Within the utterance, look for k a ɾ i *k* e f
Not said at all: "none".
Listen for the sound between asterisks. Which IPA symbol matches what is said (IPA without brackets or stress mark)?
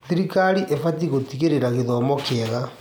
ʔ